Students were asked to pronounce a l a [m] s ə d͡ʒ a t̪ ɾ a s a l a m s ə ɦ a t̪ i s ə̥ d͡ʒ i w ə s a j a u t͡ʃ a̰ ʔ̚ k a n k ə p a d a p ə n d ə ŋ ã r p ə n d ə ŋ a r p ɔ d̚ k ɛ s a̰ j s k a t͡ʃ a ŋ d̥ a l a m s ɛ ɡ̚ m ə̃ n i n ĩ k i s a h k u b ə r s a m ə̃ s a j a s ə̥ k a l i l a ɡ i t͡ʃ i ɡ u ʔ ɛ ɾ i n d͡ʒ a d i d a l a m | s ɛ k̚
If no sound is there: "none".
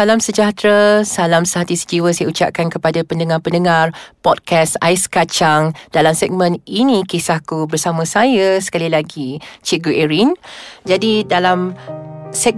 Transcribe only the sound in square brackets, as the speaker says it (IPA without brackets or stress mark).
m